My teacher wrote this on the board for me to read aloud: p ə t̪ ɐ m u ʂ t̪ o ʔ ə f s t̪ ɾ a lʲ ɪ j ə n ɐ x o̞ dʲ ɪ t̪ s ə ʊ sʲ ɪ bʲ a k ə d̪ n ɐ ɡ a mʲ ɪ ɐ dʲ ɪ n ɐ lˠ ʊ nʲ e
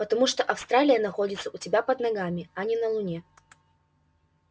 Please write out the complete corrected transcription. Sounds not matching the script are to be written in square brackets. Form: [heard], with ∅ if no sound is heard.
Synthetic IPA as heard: p ə t̪ ɐ m u ʂ t̪ o ʔ [ɐ] f s t̪ ɾ a lʲ ɪ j ə n ɐ x o̞ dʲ ɪ t̪ s ə ʊ [tʲ] ɪ bʲ a [p] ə d̪ n ɐ ɡ a mʲ ɪ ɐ [nʲ] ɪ n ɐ lˠ ʊ nʲ e